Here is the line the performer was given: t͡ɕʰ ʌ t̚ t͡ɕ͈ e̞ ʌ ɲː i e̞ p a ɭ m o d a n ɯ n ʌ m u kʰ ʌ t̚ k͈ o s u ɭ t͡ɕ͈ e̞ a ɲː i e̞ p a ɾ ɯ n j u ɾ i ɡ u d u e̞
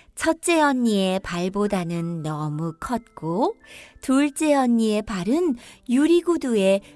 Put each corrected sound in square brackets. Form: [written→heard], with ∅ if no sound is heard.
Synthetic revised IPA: t͡ɕʰ ʌ t̚ t͡ɕ͈ e̞ ʌ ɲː i e̞ p a ɭ [m→b] o d a n ɯ [n→nː] ʌ m u kʰ ʌ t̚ k͈ o [s→t] u ɭ t͡ɕ͈ e̞ [a→ʌ] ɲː i e̞ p a ɾ ɯ n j u ɾ i ɡ u d u e̞